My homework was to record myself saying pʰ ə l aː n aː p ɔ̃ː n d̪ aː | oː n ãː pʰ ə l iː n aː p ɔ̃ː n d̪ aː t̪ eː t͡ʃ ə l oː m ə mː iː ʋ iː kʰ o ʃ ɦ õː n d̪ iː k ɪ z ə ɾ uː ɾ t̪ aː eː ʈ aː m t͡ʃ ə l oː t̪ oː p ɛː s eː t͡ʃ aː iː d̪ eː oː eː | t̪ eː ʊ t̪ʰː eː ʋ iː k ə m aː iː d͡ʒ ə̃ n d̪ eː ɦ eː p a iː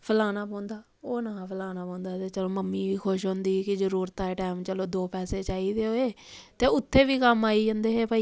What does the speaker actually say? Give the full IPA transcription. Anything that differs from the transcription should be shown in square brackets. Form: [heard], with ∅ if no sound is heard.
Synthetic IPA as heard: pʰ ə l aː n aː p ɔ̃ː n d̪ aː | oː n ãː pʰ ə l [aː] n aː p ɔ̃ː n d̪ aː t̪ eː t͡ʃ ə l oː m ə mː iː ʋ iː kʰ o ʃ ɦ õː n d̪ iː k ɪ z ə ɾ uː ɾ t̪ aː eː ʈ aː m t͡ʃ ə l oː [d̪] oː p ɛː s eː t͡ʃ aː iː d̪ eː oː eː | t̪ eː ʊ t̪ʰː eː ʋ iː k ə m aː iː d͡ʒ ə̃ n d̪ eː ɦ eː p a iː

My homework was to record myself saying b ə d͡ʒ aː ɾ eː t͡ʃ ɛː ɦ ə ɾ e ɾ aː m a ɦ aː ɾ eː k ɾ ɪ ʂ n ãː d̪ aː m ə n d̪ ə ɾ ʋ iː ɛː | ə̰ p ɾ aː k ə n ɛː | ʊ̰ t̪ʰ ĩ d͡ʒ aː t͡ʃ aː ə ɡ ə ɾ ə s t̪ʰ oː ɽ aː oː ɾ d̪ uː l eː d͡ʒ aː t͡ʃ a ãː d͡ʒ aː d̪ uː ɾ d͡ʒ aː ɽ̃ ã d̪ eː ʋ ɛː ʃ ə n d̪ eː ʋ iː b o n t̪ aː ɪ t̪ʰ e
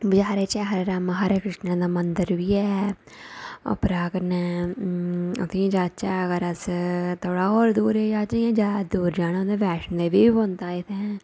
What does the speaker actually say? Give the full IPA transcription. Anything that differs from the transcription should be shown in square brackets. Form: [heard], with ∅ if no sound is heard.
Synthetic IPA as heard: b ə d͡ʒ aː ɾ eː t͡ʃ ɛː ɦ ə ɾ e ɾ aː m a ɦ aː ɾ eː k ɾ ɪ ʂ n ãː d̪ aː m ə n d̪ ə ɾ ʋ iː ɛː | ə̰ p ɾ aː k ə n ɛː | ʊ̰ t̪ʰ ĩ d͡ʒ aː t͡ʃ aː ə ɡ ə ɾ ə s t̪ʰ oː ɽ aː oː ɾ d̪ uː [ɾ] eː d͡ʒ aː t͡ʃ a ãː d͡ʒ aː d̪ uː ɾ d͡ʒ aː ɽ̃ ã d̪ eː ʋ ɛː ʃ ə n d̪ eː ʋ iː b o n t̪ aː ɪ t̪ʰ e

